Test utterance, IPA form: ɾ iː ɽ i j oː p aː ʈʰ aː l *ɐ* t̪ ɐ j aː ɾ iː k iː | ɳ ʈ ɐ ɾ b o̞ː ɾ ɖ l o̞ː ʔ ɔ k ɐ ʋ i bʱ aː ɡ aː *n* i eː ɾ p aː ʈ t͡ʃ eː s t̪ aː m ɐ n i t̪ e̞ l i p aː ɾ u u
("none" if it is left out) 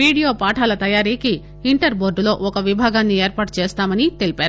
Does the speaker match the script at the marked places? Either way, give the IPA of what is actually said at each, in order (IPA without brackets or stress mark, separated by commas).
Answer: ɐ, nː